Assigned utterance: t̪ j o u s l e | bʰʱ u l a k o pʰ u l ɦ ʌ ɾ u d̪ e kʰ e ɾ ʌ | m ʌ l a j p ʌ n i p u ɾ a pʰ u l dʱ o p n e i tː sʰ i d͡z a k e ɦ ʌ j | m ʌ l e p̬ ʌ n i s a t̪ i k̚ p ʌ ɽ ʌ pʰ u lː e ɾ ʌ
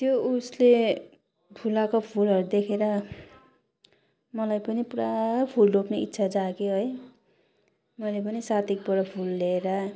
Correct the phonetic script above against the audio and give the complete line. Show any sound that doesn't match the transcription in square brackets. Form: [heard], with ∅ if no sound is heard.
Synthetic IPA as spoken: t̪ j o u s l e | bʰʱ u l a k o pʰ u l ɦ ʌ ɾ u d̪ e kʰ e ɾ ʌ | m ʌ l a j p ʌ n i p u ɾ a pʰ u l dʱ o p n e i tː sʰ [a] d͡z a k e ɦ ʌ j | m ʌ l e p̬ ʌ n i s a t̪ i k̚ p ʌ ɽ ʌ pʰ u lː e ɾ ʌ